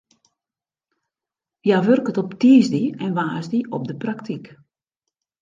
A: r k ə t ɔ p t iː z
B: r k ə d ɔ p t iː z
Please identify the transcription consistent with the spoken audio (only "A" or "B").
A